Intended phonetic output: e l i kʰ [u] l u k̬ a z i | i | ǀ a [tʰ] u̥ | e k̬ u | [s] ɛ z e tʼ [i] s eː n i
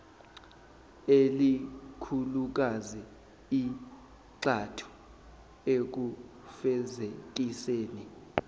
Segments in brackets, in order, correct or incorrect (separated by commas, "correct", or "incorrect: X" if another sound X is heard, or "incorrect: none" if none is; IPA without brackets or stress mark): correct, correct, incorrect: f, correct